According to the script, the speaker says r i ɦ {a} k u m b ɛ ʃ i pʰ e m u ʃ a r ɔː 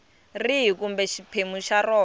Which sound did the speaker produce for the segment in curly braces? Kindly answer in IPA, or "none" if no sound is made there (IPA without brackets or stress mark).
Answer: i